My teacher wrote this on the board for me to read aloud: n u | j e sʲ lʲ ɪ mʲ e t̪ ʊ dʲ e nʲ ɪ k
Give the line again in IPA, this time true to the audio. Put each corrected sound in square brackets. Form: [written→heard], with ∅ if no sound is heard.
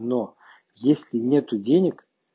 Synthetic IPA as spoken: n [u→o] | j e sʲ lʲ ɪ [mʲ→nʲ] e t̪ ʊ dʲ e nʲ ɪ k